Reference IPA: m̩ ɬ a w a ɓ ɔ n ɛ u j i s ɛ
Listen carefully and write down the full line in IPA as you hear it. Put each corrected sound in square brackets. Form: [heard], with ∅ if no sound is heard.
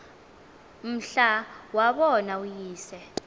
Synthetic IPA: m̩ ɬ a w a ɓ ɔ n [a] u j [iː] s ɛ